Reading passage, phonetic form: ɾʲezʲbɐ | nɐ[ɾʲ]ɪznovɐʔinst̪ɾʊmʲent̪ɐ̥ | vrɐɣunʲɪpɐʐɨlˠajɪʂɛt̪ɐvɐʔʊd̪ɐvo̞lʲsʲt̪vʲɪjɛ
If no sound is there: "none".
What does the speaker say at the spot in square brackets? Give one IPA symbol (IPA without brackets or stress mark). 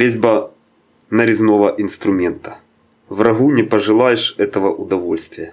ɾʲ